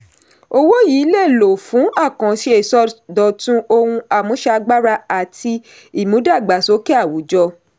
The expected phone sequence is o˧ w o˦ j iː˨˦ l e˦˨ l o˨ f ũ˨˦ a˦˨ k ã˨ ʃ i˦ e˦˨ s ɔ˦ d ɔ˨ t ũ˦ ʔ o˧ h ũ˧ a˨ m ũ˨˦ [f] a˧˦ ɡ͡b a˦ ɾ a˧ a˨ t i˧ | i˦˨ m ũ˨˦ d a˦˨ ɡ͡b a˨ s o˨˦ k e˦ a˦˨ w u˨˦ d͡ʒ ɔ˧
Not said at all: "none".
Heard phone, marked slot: ʃ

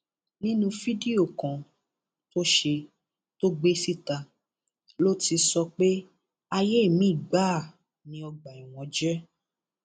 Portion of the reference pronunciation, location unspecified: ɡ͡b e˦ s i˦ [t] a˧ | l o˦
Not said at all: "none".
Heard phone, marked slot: t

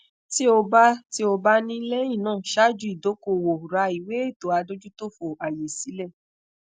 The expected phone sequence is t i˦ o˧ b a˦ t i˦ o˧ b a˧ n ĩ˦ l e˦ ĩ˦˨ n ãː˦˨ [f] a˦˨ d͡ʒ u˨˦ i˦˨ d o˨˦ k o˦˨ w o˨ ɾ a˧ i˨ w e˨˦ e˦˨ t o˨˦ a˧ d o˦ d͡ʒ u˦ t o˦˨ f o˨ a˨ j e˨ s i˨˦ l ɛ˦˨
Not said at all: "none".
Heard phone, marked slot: ʃ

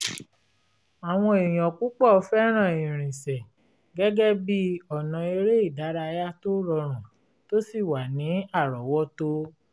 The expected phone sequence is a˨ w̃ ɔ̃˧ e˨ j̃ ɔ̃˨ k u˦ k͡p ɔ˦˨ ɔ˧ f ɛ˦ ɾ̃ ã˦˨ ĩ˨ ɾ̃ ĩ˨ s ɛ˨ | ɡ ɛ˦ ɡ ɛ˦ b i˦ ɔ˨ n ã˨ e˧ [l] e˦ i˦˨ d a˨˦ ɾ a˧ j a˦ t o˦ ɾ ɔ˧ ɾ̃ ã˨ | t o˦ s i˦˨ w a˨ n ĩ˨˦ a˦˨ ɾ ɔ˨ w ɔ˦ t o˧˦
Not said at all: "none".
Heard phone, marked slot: ɾ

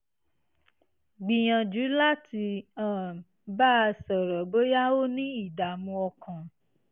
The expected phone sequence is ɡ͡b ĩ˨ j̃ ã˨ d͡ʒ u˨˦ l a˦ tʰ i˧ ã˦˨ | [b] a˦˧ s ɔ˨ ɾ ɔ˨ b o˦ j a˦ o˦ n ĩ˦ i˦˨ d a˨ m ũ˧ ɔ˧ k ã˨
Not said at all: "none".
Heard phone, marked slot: b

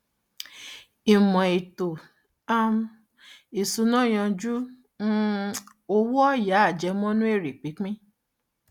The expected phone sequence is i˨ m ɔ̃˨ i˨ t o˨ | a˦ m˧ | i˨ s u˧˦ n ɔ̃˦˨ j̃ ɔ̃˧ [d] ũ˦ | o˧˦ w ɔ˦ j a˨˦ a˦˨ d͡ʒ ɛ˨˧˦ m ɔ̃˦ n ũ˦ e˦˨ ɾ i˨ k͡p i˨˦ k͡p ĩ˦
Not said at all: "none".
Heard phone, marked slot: d͡ʒ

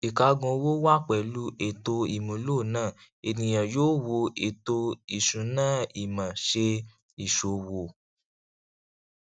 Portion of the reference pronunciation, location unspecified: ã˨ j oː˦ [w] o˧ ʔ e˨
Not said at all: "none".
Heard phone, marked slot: w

